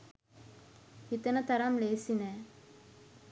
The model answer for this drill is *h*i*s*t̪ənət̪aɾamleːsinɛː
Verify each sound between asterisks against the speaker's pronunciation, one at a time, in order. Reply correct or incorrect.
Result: correct, incorrect: none

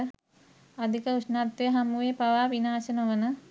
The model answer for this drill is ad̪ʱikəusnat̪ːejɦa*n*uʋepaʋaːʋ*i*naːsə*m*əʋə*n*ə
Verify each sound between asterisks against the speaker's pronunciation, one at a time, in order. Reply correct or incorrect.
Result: incorrect: m, correct, incorrect: n, correct

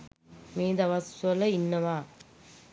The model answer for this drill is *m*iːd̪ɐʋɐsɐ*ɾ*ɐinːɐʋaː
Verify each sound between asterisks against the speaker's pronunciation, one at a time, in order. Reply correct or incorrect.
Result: correct, incorrect: l

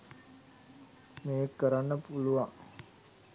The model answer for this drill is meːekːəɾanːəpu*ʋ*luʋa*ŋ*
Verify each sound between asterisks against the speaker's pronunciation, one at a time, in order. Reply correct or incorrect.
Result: incorrect: none, correct

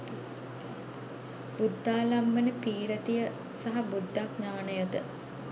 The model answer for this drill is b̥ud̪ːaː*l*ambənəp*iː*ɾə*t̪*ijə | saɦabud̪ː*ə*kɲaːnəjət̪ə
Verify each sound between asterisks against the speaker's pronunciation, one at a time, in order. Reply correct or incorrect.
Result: correct, correct, correct, incorrect: a

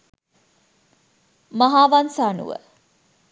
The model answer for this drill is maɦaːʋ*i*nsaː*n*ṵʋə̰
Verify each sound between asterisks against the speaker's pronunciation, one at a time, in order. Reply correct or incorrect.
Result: incorrect: a, correct

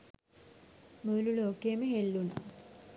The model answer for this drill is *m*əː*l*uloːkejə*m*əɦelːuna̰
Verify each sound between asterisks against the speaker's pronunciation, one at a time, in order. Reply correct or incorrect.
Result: correct, correct, correct

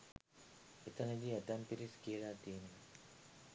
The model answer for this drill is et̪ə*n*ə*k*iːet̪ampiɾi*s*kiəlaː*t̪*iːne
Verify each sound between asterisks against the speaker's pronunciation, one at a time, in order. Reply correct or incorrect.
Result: correct, incorrect: ɡ, correct, correct

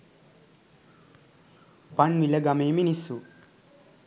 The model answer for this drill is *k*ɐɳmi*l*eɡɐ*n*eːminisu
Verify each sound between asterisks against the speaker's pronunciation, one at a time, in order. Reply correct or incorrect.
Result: incorrect: p, correct, incorrect: m

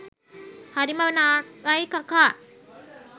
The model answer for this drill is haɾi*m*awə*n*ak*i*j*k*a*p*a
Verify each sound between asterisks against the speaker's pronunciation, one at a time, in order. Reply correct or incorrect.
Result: correct, correct, incorrect: a, correct, incorrect: k

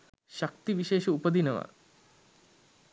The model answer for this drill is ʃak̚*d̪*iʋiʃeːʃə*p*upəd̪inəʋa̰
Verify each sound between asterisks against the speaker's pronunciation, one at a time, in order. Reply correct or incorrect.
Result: incorrect: t̪, incorrect: none

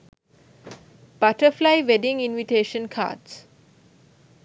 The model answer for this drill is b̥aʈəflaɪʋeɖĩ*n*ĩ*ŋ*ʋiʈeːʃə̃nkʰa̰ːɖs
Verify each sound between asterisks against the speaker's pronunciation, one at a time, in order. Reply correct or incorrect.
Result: incorrect: ŋ, incorrect: n

